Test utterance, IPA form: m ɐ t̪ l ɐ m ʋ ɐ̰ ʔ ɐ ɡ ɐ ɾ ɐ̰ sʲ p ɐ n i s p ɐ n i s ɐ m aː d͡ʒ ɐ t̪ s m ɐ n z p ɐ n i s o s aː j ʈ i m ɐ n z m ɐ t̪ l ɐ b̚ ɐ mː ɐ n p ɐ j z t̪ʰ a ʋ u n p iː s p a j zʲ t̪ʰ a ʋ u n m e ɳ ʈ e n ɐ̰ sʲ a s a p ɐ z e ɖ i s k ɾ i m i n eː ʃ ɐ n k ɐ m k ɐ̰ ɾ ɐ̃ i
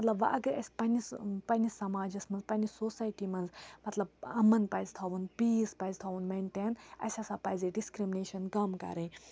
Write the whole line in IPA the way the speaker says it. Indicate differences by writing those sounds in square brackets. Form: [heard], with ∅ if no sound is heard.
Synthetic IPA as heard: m ɐ t̪ l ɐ [b] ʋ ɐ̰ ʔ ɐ ɡ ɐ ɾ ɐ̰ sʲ p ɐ n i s p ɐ n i s ɐ m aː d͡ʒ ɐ [∅] s m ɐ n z p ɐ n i s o s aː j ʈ i m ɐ n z m ɐ t̪ l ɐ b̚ ɐ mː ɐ n p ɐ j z t̪ʰ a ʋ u n p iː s p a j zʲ t̪ʰ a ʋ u n m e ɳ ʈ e n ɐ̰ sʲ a s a p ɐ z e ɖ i s k ɾ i m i n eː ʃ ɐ n k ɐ m k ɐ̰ ɾ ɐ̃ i